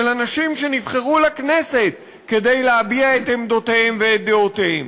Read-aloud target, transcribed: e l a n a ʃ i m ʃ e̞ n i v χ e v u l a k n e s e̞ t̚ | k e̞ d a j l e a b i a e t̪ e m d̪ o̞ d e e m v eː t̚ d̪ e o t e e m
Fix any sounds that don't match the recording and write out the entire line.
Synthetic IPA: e l a n a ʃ i m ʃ e̞ n i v χ e ʁ u l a k n e s e̞ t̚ | k e̞ d e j l e a b i a e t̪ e m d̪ o̞ t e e m v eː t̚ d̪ e o t e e m